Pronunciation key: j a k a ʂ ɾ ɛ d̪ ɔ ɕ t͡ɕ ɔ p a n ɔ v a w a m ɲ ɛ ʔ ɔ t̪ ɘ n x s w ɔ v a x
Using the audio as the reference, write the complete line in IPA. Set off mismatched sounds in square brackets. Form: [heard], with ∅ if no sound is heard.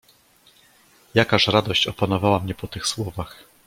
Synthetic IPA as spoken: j a k a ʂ ɾ [a] d̪ ɔ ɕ t͡ɕ ɔ p a n ɔ v a w a m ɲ ɛ [p] ɔ t̪ ɘ [∅] x s w ɔ v a x